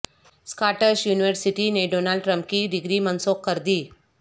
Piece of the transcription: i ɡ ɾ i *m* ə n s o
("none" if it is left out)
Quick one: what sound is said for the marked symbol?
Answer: m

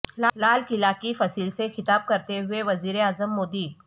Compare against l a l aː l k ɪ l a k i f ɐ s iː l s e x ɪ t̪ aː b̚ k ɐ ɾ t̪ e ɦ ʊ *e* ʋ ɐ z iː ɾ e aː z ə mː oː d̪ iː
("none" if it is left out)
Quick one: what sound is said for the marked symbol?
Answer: e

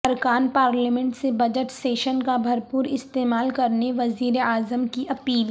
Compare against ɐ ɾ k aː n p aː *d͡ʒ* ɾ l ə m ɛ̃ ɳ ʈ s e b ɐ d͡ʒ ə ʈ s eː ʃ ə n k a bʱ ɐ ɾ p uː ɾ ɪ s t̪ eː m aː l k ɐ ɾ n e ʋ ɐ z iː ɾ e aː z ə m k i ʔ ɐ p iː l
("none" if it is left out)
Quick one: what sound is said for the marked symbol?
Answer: none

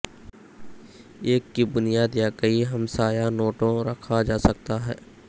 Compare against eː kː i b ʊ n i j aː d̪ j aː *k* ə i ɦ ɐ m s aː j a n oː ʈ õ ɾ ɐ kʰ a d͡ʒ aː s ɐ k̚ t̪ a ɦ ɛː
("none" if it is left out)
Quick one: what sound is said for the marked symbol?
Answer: k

